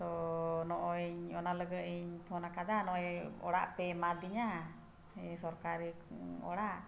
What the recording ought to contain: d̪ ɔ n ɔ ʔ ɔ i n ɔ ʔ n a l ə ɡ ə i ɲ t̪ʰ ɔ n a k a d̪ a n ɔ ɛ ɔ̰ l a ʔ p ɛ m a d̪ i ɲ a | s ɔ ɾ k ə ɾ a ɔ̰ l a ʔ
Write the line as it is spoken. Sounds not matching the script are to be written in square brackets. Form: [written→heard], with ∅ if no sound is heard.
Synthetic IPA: [d̪→t̪] ɔ n ɔ ʔ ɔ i [n→ɲ] ɔ [ʔ→∅] n a l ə ɡ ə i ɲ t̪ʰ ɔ n a k a d̪ a n ɔ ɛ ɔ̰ [l→ɽ] a ʔ p ɛ m a d̪ i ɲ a | s ɔ ɾ k [ə→a] ɾ [a→i] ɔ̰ [l→ɽ] a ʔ